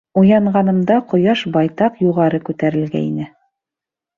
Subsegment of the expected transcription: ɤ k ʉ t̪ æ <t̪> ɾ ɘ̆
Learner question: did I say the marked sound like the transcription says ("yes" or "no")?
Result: no